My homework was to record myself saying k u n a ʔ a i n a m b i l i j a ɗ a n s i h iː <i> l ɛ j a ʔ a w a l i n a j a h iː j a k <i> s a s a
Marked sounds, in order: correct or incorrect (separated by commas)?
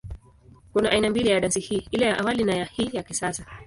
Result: correct, correct